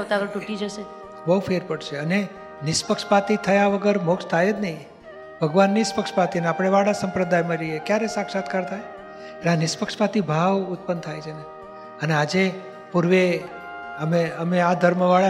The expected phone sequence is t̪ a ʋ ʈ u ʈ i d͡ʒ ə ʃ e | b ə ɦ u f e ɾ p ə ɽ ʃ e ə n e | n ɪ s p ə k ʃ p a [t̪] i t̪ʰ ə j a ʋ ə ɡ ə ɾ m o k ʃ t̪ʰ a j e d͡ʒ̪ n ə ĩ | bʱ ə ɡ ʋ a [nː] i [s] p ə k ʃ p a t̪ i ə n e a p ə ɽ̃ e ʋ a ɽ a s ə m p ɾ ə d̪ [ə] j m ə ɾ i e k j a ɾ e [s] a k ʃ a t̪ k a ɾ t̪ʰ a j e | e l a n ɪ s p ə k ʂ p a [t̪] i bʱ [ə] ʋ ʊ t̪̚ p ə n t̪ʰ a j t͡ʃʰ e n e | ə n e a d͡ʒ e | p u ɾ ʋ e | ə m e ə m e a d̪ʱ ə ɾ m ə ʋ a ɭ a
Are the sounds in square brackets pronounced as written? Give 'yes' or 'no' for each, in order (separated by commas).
yes, yes, yes, no, yes, yes, no